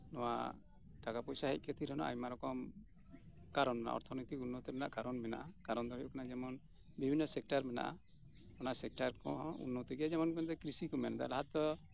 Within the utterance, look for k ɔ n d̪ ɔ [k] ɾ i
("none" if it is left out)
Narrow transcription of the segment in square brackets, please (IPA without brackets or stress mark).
k